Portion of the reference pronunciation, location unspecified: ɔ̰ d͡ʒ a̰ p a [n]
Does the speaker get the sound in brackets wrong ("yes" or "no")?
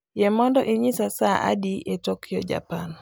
no